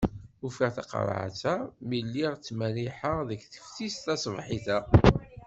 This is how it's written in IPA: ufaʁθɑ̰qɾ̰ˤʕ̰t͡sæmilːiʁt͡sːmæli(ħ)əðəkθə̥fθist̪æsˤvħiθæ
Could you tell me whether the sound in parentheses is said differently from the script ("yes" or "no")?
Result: no